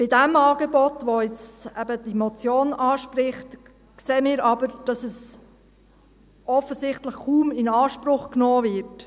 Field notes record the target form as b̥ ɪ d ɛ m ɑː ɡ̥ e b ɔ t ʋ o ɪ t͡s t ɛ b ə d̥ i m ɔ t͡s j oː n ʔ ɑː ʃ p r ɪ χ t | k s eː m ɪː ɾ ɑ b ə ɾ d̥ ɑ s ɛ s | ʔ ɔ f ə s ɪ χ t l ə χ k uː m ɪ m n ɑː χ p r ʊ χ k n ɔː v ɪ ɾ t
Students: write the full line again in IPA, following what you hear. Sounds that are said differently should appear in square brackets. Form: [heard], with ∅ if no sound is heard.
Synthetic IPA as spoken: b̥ ɪ d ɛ m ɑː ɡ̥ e b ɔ t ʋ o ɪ t͡s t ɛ b ə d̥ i m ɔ t͡s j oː n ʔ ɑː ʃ p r ɪ χ t | k s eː m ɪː ɾ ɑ b ə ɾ d̥ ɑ s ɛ s | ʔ ɔ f ə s ɪ χ t l ə χ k uː m ɪ [∅] n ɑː [ʃ] p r ʊ χ k n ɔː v ɪ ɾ t